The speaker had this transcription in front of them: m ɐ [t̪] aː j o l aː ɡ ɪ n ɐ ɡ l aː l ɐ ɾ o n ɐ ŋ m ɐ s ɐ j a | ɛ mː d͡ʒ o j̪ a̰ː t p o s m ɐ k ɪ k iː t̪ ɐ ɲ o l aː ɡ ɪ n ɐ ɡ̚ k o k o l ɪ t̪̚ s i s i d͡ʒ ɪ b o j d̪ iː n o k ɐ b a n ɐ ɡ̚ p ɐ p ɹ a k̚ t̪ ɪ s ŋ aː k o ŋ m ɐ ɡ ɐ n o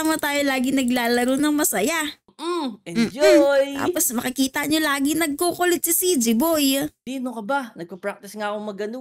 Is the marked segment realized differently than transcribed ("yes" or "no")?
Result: no